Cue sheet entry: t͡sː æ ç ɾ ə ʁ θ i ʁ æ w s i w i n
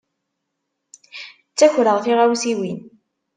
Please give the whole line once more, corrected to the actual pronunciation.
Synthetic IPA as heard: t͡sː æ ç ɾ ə ʁ θ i ʁ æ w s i w i n